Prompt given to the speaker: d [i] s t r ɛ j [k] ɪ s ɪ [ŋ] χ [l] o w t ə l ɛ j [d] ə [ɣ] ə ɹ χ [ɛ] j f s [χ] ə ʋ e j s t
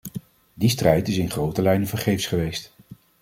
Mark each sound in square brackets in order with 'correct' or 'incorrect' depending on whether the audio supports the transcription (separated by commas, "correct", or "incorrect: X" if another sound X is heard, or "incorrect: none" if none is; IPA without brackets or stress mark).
correct, incorrect: t, incorrect: n, incorrect: r, incorrect: n, incorrect: v, incorrect: e, correct